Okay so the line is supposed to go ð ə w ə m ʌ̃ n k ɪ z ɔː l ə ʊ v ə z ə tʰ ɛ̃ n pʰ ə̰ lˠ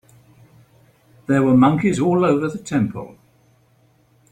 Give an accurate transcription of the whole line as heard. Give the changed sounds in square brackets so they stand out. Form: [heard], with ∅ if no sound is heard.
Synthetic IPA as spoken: ð ə w ə m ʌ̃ [ŋ] k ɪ z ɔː l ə ʊ v ə [ð] ə tʰ ɛ̃ [m] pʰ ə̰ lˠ